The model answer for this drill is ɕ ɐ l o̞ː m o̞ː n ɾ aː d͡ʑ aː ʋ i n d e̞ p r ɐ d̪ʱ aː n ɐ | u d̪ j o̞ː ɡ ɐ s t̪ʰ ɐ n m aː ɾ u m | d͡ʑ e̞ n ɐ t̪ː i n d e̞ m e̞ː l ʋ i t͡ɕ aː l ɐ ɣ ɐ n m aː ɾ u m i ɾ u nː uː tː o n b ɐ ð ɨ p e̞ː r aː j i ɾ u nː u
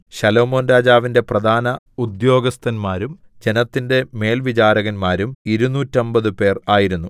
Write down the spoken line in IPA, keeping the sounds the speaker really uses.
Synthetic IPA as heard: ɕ ɐ l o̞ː m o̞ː n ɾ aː d͡ʑ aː ʋ i n d e̞ p r ɐ d̪ʱ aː n ɐ | u d̪ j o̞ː ɡ ɐ s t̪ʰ ɐ n m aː ɾ u m | d͡ʑ e̞ n ɐ t̪ː i n d e̞ m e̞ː l ʋ i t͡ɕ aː ɾ ɐ ɣ ɐ n m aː ɾ u m i ɾ u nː uː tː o m b ɐ ð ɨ p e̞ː r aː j i ɾ u nː u